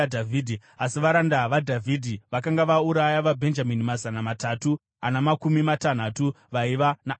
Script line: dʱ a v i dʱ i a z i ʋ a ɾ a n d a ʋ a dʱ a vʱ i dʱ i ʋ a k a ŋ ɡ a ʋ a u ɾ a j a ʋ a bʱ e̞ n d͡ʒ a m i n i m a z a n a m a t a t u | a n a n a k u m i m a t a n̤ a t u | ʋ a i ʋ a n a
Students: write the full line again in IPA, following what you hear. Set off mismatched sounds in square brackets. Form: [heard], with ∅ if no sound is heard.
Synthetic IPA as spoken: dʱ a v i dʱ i a [s] i ʋ a ɾ a n d a ʋ a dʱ a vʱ i dʱ i ʋ a k a ŋ ɡ a ʋ a u ɾ a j a ʋ a bʱ e̞ n d͡ʒ a m i n i m a z a n a m a t a t u | a n a [m] a k u m i m a t a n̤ a t u | ʋ a i ʋ a n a

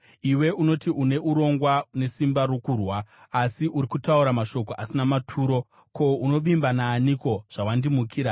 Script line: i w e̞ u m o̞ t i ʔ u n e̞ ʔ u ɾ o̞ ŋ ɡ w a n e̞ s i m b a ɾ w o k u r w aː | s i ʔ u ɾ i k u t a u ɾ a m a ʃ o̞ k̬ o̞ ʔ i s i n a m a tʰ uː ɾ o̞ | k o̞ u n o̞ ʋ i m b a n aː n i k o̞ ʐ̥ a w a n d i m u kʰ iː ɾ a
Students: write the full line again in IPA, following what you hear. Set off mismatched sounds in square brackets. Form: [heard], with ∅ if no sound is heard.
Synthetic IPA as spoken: i w e̞ u [n] o̞ t i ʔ u n e̞ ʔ u ɾ o̞ ŋ ɡ w a n e̞ s i m b a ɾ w o k u r w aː | s i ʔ u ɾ i k u t a u ɾ a m a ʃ o̞ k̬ o̞ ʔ [a] s i n a m a tʰ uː ɾ o̞ | k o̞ u n o̞ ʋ i m b a n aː n i k o̞ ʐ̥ a w a n d i m u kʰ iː ɾ a

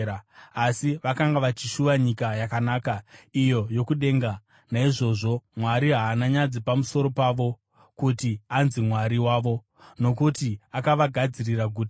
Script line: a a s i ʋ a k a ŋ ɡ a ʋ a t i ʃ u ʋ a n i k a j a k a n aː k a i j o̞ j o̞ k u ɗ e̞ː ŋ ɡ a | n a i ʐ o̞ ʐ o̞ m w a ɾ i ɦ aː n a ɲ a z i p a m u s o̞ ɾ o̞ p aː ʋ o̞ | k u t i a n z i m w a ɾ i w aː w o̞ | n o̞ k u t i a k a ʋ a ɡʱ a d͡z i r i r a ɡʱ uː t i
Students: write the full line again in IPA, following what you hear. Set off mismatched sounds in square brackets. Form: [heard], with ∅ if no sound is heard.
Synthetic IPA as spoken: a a s i ʋ a k a ŋ ɡ a ʋ a [t͡ʃ] i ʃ u ʋ a [ɲ] i k a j a k a n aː k a i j o̞ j o̞ k u ɗ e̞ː ŋ ɡ a | n a i ʐ o̞ ʐ o̞ m w a ɾ i ɦ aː n a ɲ a [d͡z] i p a m u s o̞ ɾ o̞ p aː ʋ o̞ | k u t i a n z i m w a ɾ i w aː [ʋ] o̞ | n o̞ k u t i a k a ʋ a ɡʱ a d͡z i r i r a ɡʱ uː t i

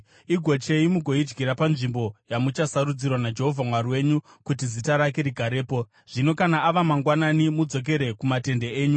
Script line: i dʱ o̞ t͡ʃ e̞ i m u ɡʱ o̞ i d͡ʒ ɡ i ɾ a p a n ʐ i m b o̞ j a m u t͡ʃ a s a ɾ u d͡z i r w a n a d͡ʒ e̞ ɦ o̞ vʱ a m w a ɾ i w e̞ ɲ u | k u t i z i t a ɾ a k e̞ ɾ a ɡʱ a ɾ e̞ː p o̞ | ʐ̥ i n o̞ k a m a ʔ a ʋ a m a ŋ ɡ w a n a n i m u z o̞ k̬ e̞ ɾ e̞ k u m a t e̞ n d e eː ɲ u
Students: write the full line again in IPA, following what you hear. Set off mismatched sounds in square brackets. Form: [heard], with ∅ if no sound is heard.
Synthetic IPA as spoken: i [ɡʱ] o̞ t͡ʃ e̞ i m u ɡʱ o̞ i d͡ʒ ɡ i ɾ a p a n ʐ i m b o̞ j a m u t͡ʃ a s a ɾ u d͡z i r w a n a d͡ʒ e̞ ɦ o̞ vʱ a m w a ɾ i w e̞ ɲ u | k u t i z i t a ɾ a k e̞ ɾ [i] ɡʱ a ɾ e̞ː p o̞ | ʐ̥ i n o̞ k a [n] a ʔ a ʋ a m a ŋ ɡ w a n a n i m u [d͡z] o̞ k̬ e̞ ɾ e̞ k u m a t e̞ n d e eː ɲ u

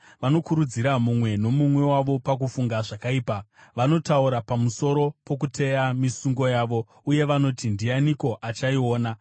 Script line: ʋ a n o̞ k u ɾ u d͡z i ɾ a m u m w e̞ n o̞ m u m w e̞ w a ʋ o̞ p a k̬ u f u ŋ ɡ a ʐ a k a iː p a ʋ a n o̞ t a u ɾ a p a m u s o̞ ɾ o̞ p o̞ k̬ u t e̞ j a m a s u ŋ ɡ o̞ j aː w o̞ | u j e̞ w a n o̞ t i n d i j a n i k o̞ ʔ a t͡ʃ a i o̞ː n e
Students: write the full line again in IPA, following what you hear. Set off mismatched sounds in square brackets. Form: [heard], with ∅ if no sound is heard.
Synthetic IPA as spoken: ʋ a n o̞ k u ɾ u d͡z i ɾ a m u m w e̞ n o̞ m u m w e̞ w a ʋ o̞ p a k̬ u f u ŋ ɡ a ʐ a k a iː p a ʋ a n o̞ t a u ɾ a p a m u s o̞ ɾ o̞ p o̞ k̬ u t e̞ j a m [i] s u ŋ ɡ o̞ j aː [ʋ] o̞ | u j e̞ [ʋ] a n o̞ t i n d i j a n i k o̞ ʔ a t͡ʃ a i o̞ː n [a]

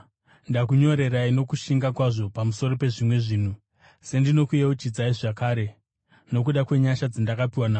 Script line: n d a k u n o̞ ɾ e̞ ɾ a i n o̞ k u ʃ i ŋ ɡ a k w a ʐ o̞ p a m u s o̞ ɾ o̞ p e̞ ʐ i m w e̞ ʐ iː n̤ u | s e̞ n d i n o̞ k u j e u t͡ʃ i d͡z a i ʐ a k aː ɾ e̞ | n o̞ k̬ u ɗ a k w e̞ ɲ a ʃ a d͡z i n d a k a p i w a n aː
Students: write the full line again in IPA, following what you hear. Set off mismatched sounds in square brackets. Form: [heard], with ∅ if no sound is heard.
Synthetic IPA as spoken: n d a k u [ɲ] o̞ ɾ e̞ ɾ a i n o̞ k u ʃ i ŋ ɡ a k w a ʐ o̞ p a m u s o̞ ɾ o̞ p e̞ ʐ i m w e̞ ʐ iː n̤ u | s e̞ n d i n o̞ k u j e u t͡ʃ i d͡z a i ʐ a k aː ɾ e̞ | n o̞ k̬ u ɗ a k w e̞ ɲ a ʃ a d͡z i n d a k a p i w a n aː

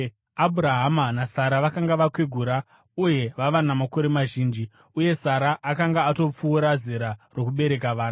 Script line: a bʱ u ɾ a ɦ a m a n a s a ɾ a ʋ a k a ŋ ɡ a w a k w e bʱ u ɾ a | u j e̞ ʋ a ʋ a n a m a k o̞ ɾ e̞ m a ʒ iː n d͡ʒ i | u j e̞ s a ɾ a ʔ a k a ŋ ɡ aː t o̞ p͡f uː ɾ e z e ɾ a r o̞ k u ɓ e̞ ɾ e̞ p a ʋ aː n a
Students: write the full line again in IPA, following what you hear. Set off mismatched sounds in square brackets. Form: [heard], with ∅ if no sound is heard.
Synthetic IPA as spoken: a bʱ u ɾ a ɦ a m a n a s a ɾ a ʋ a k a ŋ ɡ a [ʋ] a k w e [ɡʱ] u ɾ a | u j e̞ ʋ a ʋ a n a m a k o̞ ɾ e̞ m a ʒ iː n d͡ʒ i | u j e̞ s a ɾ a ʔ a k a ŋ ɡ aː t o̞ p͡f uː ɾ [a] z e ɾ a r o̞ k u ɓ e̞ ɾ e̞ [k] a ʋ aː n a

